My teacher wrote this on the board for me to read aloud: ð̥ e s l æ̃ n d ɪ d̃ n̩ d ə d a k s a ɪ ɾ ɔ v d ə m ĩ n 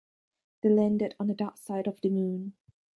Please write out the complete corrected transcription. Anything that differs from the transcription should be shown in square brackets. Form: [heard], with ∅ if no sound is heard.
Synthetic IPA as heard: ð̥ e [∅] l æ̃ n d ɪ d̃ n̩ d ə d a k s a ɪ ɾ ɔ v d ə m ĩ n